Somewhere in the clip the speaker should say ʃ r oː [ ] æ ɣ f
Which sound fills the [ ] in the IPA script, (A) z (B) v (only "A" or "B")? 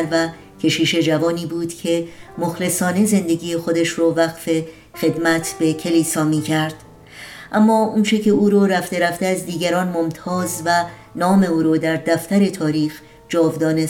B